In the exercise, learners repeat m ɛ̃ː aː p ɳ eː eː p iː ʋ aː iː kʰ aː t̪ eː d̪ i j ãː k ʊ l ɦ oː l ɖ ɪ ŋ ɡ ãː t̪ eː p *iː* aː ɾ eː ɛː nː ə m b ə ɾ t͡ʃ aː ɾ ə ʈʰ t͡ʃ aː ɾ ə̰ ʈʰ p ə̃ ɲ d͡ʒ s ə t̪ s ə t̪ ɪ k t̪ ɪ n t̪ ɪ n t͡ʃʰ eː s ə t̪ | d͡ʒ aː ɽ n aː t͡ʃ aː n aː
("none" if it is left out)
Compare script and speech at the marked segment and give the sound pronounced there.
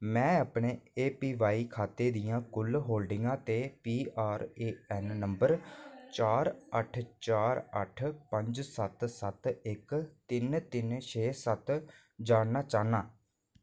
iː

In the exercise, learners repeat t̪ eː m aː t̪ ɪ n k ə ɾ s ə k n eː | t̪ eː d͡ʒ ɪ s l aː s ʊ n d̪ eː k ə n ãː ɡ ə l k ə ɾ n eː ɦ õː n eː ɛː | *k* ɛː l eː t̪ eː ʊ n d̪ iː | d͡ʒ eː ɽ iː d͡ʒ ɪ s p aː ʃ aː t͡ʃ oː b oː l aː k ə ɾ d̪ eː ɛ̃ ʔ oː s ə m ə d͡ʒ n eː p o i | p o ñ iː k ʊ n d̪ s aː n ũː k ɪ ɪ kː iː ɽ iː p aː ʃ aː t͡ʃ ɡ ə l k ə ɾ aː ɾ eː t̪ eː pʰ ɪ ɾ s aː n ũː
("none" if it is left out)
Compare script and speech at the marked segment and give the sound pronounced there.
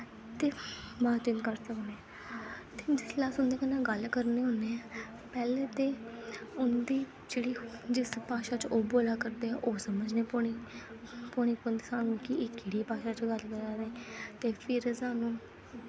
p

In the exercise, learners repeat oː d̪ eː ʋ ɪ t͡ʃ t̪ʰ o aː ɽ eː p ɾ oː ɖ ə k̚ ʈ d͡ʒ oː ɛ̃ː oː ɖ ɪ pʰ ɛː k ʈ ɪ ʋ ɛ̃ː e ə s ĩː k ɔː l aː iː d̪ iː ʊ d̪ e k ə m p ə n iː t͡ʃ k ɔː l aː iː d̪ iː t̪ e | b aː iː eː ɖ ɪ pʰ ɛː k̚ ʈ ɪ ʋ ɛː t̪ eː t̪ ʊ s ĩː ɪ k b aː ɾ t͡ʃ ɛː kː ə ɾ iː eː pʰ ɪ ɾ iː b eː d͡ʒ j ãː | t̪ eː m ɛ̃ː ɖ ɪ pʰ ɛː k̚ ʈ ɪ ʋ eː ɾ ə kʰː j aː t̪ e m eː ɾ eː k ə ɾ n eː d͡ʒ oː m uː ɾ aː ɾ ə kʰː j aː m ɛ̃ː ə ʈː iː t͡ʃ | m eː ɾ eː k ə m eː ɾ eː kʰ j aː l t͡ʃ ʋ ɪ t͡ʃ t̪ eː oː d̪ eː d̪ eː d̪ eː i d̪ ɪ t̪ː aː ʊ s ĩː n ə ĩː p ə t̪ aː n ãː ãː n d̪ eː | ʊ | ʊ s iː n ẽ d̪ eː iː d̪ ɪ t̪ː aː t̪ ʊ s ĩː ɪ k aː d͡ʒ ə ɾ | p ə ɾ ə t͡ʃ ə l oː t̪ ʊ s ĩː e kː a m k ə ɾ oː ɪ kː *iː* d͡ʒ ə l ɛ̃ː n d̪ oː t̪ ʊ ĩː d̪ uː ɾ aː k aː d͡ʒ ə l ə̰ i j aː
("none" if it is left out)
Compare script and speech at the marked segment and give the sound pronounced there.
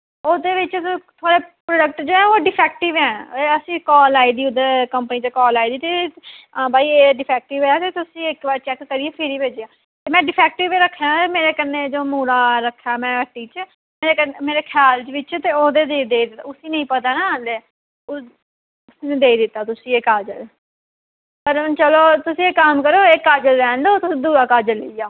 aː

